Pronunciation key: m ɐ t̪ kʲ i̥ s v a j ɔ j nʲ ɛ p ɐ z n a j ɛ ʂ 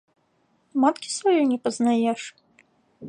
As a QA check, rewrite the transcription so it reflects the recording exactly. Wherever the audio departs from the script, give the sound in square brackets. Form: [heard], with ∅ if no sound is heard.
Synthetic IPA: m [a] t̪ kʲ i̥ s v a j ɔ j nʲ ɛ p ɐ z n a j ɛ ʂ